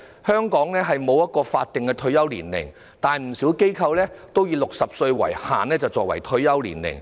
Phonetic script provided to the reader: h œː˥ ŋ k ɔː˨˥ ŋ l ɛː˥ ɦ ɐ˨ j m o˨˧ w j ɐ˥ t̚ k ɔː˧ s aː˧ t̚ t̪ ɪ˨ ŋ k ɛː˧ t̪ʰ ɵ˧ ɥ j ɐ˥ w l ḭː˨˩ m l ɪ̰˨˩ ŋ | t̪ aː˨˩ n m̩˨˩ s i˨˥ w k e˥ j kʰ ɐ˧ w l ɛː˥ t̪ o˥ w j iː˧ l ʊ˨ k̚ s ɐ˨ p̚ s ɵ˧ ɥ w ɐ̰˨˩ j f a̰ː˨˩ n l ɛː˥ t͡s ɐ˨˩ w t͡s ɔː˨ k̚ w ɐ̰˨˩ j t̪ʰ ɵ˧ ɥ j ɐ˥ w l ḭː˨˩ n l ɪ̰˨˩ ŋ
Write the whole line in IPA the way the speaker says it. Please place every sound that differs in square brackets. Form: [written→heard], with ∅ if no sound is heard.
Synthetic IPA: h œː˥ ŋ k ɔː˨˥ ŋ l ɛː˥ ɦ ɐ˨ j m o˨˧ w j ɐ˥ t̚ k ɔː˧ [s→f] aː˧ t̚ t̪ ɪ˨ ŋ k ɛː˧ t̪ʰ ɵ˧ ɥ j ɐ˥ w l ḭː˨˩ [m→n] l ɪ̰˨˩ ŋ | t̪ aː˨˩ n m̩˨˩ s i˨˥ w k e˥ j kʰ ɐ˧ w l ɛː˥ t̪ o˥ w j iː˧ l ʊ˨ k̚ s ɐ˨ p̚ s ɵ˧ ɥ w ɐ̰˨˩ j [f→h] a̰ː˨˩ n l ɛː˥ t͡s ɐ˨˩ w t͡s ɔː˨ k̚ w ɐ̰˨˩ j t̪ʰ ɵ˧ ɥ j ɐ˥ w l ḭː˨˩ n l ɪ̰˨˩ ŋ

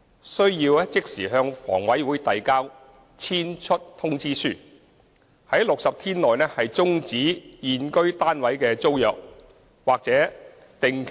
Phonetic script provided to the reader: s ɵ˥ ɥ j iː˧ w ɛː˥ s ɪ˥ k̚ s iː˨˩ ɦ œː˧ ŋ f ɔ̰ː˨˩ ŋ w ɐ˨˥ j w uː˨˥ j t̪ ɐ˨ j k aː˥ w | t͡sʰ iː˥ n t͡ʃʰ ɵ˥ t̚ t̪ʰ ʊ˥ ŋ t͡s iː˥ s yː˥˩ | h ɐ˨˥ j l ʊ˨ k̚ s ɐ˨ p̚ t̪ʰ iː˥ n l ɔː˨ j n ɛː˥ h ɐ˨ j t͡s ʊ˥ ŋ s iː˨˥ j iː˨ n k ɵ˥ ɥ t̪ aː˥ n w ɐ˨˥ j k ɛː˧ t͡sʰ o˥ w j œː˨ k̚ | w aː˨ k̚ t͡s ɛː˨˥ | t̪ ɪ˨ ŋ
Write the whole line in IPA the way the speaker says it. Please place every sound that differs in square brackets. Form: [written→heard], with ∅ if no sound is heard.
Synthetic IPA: s ɵ˥ ɥ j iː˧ w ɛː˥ [s→t͡s] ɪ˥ k̚ s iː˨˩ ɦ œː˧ ŋ f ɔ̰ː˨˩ ŋ w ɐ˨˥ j w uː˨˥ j t̪ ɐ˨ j k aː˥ w | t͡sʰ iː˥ n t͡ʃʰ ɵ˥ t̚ t̪ʰ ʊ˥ ŋ t͡s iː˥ s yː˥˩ | h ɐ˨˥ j l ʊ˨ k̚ s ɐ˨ p̚ t̪ʰ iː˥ n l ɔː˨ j n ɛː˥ h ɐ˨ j t͡s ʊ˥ ŋ [s→t͡s] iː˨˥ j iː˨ n k ɵ˥ ɥ t̪ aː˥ n w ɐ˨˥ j k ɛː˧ [t͡sʰ→t͡s] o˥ w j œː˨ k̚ | w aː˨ k̚ t͡s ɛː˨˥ | t̪ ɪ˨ ŋ

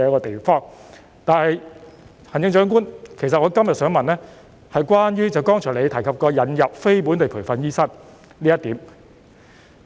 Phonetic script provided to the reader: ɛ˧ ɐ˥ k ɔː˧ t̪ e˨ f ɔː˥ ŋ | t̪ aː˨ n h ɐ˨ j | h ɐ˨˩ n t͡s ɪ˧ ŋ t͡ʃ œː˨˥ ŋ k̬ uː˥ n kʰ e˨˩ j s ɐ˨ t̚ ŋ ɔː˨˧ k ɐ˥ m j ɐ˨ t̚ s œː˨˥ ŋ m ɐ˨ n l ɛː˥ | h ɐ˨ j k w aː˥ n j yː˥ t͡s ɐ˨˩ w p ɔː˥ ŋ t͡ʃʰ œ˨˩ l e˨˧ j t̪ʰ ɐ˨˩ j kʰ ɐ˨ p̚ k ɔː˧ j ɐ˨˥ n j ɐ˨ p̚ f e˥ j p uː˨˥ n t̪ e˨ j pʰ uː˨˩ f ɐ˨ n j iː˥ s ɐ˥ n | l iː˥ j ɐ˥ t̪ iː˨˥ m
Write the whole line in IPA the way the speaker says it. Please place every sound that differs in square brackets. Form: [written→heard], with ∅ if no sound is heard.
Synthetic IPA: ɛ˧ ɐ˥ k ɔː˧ t̪ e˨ f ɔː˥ ŋ | t̪ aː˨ n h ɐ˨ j | h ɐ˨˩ n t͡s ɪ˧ ŋ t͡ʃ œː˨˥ ŋ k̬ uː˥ n kʰ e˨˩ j s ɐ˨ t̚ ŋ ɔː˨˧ k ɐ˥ m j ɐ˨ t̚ s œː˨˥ ŋ m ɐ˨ n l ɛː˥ | h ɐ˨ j k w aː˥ n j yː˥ t͡s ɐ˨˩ w [p→k] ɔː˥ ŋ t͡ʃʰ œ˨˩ l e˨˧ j t̪ʰ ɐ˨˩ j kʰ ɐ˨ p̚ k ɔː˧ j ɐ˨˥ n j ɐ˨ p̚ f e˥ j p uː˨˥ n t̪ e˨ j pʰ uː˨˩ f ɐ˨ n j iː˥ s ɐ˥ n | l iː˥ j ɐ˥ t̪ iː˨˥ m

